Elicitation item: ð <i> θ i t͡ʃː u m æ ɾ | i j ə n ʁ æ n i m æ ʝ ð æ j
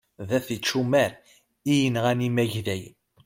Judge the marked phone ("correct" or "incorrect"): incorrect